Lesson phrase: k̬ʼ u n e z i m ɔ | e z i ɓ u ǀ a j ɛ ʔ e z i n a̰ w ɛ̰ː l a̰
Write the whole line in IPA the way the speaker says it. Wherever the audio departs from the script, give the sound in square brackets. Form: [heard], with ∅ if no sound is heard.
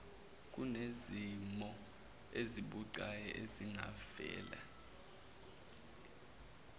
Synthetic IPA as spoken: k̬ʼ u n e z i m ɔ | e z i ɓ u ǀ a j ɛ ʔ e z i [ŋ] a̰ [v] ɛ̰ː l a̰